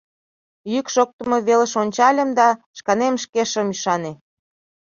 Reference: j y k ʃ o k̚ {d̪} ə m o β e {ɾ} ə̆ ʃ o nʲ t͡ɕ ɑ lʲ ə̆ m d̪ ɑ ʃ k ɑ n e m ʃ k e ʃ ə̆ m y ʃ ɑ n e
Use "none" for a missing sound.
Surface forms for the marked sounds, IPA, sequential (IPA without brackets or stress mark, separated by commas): t̪, l